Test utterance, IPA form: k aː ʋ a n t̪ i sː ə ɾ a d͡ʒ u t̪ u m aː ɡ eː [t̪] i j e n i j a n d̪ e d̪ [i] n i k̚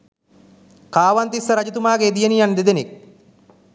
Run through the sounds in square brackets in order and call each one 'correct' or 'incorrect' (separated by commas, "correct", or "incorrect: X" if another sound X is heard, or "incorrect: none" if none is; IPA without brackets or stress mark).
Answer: incorrect: d̪, incorrect: e